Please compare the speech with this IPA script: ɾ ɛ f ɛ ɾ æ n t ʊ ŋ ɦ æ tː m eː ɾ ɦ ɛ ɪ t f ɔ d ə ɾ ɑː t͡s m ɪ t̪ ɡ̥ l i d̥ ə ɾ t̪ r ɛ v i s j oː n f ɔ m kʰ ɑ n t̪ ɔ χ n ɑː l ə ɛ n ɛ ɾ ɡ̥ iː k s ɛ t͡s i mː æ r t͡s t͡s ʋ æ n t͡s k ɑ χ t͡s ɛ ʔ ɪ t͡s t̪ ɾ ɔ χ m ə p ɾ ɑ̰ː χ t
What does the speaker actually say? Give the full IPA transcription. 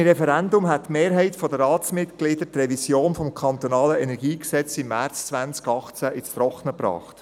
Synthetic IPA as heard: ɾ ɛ f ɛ ɾ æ n d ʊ m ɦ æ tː m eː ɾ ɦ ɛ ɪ t f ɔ d ə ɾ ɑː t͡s m ɪ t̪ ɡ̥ l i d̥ ə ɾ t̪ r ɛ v i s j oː n f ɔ m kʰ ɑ n t̪ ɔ n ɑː l ə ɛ n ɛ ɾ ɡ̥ iː k s ɛ t͡s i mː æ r t͡s t͡s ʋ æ n t͡s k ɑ χ t͡s æ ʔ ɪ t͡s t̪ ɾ ɔ χ n ə p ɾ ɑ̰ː χ t